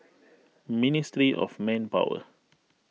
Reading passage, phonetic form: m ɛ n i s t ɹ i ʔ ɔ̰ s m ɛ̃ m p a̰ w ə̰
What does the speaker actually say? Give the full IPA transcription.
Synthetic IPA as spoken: m i n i s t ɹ i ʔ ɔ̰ f m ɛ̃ n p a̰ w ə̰